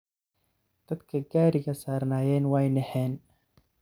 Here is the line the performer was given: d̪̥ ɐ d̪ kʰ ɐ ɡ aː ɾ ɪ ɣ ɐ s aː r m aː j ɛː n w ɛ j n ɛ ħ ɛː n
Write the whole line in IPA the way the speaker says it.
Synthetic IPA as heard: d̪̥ ɐ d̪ kʰ ɐ ɡ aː ɾ ɪ ɣ ɐ s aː r n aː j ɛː n w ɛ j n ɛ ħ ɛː n